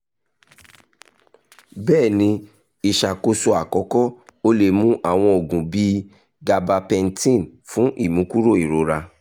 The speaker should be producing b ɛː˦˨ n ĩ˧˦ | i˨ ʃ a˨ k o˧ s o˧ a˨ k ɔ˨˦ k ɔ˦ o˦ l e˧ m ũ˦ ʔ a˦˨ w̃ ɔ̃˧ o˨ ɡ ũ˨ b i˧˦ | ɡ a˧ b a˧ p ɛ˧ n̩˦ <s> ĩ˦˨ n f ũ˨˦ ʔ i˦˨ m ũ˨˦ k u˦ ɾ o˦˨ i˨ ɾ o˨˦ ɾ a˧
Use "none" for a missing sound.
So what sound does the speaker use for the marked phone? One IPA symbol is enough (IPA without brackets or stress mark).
t